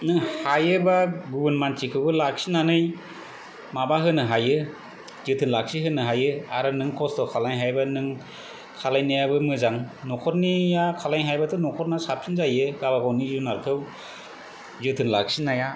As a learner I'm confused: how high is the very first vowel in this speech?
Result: high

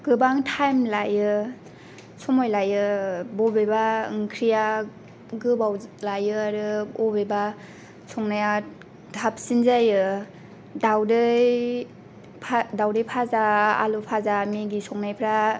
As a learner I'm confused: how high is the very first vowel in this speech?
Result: high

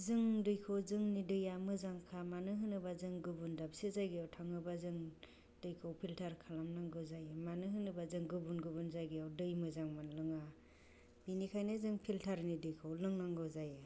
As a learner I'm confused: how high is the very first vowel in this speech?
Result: high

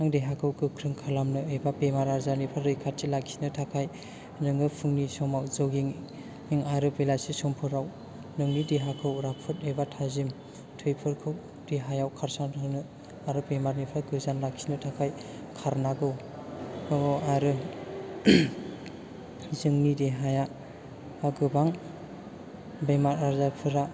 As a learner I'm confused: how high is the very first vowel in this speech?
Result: low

